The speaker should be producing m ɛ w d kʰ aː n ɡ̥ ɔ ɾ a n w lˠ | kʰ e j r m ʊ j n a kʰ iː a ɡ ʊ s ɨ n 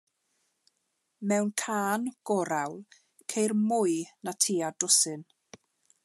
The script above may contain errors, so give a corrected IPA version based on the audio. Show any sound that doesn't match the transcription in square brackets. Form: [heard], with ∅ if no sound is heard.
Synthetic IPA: m ɛ w [n] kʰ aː n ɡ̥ ɔ ɾ a [∅] w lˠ | kʰ e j r m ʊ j n a [tʰ] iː a [d] ʊ s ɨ n